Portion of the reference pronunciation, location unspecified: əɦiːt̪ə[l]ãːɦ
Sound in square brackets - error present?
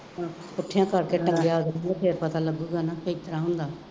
yes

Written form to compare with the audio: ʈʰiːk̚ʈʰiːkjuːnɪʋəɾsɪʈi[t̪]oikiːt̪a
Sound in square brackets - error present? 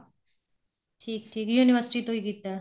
no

